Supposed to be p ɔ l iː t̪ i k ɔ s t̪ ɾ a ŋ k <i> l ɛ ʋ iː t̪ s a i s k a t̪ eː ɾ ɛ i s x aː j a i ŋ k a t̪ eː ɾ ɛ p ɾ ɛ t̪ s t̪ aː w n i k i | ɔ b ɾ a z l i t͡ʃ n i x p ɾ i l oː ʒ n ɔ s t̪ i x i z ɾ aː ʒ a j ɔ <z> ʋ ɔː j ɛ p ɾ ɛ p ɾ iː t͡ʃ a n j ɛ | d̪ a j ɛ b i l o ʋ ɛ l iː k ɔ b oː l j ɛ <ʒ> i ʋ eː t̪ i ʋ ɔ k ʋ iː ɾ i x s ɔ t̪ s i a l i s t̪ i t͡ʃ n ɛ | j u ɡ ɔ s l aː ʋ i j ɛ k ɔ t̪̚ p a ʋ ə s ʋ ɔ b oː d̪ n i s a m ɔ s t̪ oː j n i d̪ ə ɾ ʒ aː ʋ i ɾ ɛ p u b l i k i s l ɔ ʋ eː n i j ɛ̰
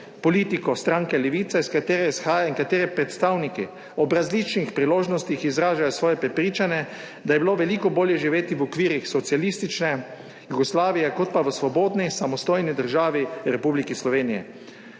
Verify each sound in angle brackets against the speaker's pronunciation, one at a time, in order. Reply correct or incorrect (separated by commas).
incorrect, incorrect, correct